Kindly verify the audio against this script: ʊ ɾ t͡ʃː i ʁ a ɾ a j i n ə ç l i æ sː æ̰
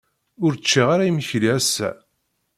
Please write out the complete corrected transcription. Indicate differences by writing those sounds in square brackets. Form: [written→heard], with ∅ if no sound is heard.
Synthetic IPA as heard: ʊ ɾ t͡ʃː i ʁ a ɾ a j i [n→m] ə ç l i æ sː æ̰